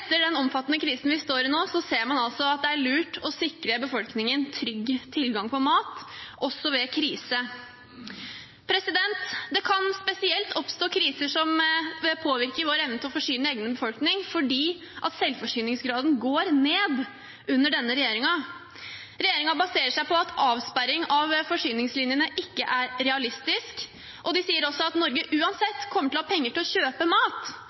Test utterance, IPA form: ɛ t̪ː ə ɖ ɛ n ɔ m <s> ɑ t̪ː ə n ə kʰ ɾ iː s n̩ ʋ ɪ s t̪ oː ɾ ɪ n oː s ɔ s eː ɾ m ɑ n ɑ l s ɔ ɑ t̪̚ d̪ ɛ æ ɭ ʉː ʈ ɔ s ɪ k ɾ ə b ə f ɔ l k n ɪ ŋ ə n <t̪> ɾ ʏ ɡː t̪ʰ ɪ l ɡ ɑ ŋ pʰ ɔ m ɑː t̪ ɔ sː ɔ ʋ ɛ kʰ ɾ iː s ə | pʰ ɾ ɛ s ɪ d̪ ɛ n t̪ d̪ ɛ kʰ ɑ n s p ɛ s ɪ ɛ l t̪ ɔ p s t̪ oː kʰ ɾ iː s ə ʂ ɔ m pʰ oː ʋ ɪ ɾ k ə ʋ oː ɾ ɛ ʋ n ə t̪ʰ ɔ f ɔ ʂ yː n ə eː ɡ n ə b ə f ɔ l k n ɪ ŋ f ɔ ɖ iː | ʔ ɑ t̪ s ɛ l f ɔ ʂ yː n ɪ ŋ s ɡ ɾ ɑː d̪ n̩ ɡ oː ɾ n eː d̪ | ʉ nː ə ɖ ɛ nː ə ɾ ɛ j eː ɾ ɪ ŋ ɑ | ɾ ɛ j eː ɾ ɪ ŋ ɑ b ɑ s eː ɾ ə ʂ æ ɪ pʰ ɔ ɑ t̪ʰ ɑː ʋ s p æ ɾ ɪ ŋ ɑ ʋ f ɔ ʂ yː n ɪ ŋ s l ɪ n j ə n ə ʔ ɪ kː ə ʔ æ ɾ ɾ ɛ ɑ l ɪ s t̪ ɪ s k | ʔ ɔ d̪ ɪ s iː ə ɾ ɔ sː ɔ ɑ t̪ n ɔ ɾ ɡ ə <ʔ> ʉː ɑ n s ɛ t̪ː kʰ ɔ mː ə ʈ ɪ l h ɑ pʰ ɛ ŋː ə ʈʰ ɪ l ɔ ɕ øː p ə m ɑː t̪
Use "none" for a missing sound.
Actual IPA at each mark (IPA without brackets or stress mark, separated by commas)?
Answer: f, t̪ʰ, ʔ